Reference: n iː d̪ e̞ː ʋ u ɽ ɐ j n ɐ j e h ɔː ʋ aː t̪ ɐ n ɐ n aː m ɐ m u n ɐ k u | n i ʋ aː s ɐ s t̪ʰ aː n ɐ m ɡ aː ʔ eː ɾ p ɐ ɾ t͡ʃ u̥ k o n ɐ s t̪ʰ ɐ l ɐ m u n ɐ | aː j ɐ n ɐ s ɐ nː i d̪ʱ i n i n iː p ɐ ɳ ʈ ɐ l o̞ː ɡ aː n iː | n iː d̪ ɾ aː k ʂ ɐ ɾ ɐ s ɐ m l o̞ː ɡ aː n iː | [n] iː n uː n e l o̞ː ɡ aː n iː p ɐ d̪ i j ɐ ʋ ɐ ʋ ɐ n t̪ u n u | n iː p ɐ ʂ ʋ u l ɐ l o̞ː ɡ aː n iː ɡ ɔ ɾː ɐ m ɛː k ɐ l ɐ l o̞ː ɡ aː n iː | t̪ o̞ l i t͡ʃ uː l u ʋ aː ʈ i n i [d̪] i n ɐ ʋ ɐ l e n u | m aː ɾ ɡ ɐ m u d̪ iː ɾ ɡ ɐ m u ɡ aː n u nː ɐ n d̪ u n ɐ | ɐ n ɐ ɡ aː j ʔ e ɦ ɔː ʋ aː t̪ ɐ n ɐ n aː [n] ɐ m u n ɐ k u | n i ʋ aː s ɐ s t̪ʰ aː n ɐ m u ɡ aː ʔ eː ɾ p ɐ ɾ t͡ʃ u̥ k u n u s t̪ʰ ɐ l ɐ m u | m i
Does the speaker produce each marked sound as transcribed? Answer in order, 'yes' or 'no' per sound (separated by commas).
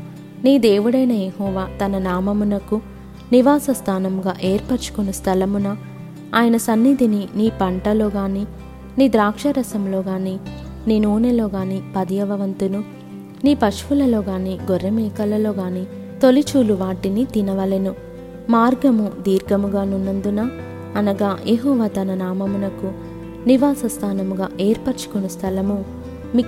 yes, no, no